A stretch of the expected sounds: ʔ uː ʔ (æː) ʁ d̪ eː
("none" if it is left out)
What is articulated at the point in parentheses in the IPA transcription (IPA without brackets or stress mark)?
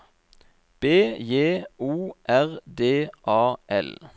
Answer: æ